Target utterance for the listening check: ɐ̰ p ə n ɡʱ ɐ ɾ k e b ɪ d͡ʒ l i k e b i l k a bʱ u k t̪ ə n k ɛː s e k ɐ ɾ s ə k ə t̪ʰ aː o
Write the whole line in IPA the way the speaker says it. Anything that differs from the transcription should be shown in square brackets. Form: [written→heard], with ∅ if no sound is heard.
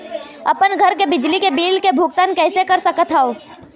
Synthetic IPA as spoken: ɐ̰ p ə n ɡʱ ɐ ɾ k e b ɪ d͡ʒ l i k e b [i→iː] l k [a→e] bʱ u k t̪ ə n k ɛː s e k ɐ ɾ s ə k ə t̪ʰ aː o